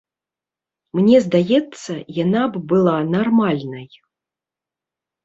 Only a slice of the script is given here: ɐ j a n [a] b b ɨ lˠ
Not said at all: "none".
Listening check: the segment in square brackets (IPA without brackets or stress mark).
a